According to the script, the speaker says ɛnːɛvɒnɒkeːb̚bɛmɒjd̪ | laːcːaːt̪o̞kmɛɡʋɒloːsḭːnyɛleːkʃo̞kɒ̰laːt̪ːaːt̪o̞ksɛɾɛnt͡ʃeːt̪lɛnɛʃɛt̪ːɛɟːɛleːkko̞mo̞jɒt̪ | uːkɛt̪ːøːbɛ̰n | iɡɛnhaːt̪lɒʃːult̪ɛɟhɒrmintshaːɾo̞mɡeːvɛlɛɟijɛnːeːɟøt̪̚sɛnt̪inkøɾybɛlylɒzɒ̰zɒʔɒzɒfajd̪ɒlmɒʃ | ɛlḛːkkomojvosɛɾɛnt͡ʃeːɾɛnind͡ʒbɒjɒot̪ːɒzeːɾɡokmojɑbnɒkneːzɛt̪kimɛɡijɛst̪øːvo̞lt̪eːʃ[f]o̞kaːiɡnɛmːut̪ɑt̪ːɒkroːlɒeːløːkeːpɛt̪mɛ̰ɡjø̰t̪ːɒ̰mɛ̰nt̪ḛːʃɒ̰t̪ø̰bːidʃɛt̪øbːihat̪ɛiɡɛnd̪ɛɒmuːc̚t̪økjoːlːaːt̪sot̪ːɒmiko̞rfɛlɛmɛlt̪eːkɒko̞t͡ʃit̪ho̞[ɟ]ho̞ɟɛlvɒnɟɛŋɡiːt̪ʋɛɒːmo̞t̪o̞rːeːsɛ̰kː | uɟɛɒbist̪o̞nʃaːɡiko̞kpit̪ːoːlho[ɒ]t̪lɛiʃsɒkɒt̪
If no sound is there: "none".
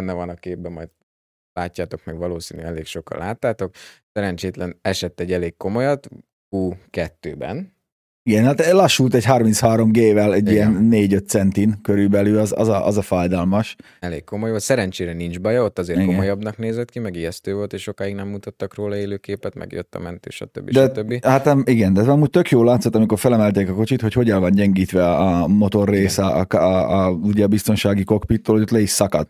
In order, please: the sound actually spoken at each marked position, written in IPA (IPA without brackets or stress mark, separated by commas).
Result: ʃ, c, o